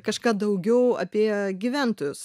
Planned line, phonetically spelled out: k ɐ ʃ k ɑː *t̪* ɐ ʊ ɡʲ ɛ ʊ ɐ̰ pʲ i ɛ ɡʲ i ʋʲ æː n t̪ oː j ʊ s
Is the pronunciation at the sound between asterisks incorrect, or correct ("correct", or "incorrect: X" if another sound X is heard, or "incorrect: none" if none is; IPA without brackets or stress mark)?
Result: incorrect: d̪